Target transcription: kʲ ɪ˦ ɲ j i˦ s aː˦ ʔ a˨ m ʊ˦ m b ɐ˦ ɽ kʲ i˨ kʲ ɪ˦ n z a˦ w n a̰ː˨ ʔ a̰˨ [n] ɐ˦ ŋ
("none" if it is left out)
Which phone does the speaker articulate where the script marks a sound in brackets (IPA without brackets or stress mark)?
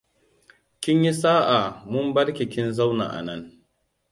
n